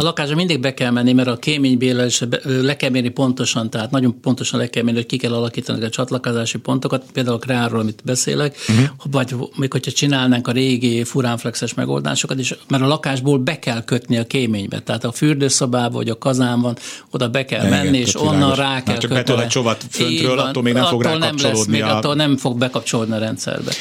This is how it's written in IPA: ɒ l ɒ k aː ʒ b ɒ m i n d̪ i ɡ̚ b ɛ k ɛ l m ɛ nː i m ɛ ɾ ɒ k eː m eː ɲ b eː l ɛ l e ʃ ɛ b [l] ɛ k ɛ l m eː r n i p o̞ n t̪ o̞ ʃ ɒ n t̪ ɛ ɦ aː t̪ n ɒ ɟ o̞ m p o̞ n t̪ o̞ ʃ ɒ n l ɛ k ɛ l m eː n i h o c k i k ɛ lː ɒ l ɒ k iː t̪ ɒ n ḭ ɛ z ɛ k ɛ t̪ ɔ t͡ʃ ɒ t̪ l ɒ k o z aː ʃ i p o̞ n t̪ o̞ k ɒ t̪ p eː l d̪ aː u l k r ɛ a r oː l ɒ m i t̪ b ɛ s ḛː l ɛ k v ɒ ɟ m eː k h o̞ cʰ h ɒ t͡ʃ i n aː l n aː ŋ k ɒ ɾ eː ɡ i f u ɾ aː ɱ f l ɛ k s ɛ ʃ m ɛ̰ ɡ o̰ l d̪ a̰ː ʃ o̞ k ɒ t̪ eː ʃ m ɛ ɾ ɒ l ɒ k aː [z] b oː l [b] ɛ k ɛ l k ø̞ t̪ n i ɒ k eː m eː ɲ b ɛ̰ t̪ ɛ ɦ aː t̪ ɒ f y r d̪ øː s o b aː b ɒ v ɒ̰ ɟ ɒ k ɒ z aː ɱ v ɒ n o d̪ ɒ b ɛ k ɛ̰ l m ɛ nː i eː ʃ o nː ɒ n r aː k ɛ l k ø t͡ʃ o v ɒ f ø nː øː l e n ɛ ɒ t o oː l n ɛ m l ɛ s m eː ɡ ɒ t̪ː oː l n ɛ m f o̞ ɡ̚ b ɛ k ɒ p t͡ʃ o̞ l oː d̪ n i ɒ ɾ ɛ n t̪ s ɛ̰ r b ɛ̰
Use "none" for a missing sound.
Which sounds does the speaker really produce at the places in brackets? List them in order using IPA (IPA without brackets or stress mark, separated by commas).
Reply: l, ʒ, b